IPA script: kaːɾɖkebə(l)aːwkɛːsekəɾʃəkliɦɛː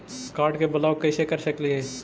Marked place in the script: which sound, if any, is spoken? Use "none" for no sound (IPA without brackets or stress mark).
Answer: l